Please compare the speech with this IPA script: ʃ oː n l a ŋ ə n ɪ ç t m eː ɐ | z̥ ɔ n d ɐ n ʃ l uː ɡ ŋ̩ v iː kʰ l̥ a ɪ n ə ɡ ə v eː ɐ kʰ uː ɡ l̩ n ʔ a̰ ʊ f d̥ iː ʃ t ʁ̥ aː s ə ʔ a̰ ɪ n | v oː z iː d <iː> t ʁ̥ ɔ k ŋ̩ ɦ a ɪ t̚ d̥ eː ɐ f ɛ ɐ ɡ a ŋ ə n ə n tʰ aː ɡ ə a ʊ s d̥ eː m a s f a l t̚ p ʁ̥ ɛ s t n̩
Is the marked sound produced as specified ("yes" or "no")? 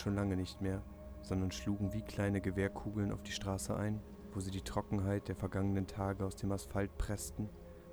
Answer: yes